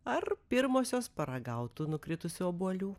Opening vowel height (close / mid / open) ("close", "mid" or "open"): open